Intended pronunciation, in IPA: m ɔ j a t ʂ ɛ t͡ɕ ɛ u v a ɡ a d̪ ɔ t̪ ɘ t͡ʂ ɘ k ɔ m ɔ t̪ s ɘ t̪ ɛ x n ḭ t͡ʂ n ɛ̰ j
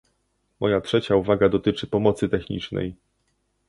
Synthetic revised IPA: m ɔ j a t ʂ ɛ t͡ɕ a u v a ɡ a d̪ ɔ t̪ ɘ t͡ʂ ɘ p ɔ m ɔ t̪ s ɘ t̪ ɛ x ɲ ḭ t͡ʂ n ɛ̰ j